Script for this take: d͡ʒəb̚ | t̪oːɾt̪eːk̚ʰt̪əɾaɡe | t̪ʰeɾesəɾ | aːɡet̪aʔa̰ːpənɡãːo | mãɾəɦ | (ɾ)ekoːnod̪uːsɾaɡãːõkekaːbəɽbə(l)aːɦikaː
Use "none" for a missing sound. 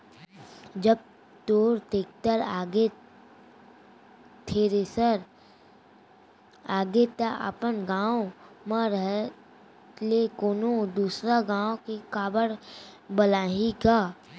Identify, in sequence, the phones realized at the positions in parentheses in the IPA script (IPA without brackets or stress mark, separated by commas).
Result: l, l